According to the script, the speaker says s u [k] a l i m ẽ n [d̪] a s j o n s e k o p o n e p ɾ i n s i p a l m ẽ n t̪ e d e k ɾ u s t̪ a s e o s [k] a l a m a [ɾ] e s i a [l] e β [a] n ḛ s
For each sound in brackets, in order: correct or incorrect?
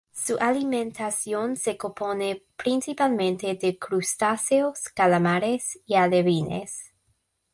incorrect, incorrect, correct, correct, correct, incorrect

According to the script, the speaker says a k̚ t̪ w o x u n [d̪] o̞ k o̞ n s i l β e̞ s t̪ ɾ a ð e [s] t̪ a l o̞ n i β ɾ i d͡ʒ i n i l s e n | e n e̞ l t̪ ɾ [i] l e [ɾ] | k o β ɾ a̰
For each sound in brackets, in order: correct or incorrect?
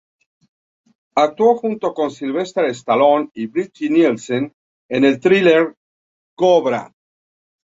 incorrect, correct, correct, correct

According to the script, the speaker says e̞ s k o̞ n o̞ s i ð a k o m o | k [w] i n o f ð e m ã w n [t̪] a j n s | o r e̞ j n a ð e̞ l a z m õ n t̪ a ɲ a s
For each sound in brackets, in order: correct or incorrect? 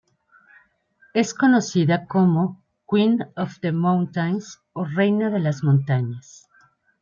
correct, correct

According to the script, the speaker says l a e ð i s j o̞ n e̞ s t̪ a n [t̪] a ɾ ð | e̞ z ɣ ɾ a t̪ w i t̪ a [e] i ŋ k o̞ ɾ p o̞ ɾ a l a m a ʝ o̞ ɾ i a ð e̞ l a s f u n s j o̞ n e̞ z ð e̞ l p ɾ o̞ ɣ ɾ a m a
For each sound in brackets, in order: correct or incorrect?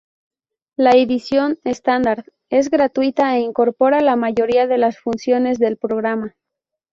incorrect, correct

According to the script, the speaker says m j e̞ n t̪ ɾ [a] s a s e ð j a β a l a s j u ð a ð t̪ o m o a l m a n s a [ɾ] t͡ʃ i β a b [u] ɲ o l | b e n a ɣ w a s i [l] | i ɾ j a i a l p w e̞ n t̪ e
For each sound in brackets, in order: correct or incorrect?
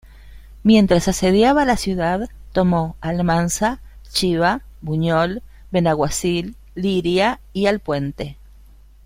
correct, incorrect, correct, incorrect

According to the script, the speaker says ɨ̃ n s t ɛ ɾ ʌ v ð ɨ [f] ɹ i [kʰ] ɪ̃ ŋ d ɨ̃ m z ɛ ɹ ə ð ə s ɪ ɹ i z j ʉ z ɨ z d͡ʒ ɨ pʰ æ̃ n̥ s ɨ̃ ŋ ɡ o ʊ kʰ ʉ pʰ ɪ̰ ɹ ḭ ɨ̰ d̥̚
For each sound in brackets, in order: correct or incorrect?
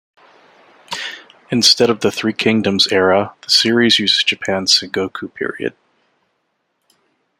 incorrect, correct

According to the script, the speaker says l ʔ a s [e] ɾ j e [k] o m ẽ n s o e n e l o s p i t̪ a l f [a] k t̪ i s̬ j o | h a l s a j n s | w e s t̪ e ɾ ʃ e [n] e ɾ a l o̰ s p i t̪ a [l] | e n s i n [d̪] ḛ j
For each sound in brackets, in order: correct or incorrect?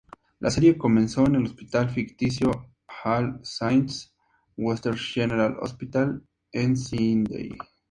correct, correct, incorrect, correct, correct, correct

